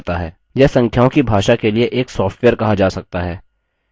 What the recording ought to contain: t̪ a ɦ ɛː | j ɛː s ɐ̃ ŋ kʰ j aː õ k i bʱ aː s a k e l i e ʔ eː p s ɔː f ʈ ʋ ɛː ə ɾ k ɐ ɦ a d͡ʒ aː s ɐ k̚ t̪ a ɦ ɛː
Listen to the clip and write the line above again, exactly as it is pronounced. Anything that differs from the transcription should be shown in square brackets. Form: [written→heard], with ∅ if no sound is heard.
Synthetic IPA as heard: t̪ a ɦ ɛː | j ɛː s ɐ̃ ŋ kʰ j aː õ k i bʱ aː [s→ʃ] a k e l i e ʔ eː [p→k] s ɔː f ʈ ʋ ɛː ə ɾ k ɐ ɦ a d͡ʒ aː s ɐ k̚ t̪ a ɦ ɛː